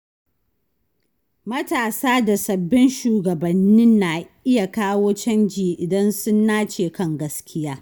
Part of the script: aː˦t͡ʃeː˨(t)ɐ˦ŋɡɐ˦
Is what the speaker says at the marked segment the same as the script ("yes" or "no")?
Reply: no